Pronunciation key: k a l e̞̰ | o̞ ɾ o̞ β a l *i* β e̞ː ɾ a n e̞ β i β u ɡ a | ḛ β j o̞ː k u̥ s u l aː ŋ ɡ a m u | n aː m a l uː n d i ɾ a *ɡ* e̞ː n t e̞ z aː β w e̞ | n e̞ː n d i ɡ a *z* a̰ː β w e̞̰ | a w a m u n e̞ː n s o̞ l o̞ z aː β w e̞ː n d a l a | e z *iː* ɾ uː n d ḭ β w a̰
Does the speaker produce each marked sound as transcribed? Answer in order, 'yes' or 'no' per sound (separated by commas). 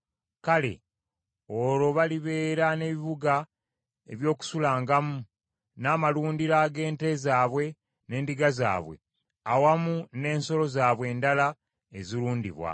yes, yes, yes, no